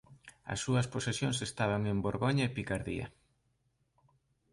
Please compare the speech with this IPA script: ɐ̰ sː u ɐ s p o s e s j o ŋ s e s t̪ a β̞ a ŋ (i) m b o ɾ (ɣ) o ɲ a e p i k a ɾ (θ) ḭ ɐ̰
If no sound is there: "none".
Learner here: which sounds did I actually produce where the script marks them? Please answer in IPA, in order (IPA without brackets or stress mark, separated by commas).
e, ɣ, ð